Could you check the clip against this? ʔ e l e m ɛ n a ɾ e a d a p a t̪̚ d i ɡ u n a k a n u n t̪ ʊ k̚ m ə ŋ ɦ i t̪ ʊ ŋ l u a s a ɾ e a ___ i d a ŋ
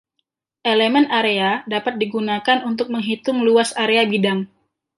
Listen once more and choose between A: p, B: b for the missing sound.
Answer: B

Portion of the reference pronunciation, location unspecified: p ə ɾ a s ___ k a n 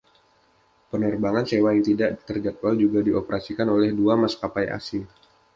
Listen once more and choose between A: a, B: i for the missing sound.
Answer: B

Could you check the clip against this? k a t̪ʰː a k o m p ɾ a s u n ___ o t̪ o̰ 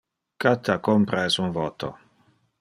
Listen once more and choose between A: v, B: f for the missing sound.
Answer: A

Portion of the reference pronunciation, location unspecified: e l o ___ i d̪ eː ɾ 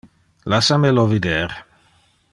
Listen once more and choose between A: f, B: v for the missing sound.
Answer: B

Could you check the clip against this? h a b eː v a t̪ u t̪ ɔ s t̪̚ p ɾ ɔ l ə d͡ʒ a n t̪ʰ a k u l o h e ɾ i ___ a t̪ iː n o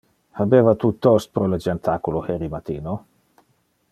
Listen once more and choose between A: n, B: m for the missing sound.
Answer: B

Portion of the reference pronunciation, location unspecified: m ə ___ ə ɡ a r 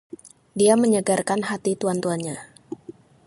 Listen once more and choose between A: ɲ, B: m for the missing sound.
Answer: A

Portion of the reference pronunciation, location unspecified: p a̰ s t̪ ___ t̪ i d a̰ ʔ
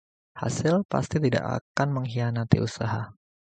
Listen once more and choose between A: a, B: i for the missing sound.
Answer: B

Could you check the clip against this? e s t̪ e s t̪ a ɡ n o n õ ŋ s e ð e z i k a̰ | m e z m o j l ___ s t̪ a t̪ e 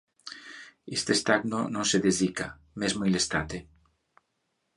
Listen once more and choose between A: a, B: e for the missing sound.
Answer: B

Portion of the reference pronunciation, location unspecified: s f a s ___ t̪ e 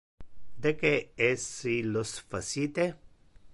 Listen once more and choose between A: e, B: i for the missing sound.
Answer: B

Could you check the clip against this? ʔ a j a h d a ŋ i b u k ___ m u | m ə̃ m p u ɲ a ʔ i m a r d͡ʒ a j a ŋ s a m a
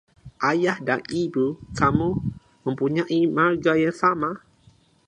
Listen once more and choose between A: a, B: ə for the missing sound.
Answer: A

